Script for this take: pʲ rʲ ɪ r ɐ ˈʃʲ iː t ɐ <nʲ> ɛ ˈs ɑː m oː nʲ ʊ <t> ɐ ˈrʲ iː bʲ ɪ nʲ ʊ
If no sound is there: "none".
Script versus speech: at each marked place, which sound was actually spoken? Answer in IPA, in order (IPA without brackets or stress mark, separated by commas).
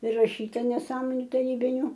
nʲ, t